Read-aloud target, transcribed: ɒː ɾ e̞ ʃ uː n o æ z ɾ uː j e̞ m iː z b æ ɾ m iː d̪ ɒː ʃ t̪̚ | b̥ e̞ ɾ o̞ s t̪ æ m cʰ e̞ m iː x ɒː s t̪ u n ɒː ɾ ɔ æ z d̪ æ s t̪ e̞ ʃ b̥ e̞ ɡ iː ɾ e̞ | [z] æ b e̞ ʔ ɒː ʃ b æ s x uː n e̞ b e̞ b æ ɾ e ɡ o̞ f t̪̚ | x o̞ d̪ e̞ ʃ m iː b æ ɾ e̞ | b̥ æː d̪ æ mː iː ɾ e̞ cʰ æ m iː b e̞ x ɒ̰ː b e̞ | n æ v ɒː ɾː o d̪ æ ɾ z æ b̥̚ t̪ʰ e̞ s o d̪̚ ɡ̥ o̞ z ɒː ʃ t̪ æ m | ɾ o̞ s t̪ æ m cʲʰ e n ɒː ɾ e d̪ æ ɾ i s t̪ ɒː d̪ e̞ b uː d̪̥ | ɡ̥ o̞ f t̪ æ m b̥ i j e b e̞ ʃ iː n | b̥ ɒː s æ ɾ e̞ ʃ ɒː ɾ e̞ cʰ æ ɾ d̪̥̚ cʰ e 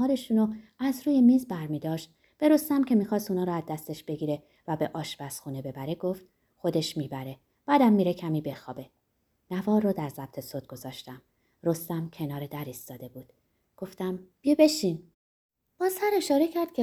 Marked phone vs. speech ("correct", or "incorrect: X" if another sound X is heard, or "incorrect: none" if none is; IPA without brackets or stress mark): incorrect: v